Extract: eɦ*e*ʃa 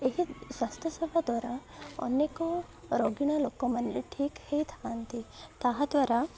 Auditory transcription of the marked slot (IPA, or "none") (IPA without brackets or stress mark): i